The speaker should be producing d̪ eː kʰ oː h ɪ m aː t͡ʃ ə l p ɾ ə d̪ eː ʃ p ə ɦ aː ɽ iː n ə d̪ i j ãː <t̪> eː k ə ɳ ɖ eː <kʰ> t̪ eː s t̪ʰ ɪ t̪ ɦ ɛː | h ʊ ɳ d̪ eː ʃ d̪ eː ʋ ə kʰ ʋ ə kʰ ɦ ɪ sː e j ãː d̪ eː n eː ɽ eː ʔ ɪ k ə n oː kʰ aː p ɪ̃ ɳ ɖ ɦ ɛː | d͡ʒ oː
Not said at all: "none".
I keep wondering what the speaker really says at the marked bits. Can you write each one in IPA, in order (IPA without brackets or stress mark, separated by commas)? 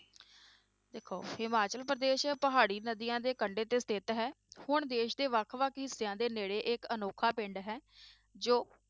d̪, none